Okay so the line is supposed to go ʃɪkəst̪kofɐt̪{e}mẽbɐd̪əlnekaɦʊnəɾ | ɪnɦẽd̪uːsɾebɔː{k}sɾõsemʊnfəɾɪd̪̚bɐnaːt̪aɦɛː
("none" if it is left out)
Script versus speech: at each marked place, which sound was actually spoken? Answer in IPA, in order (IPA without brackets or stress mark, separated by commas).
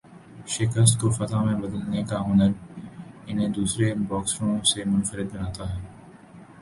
a, k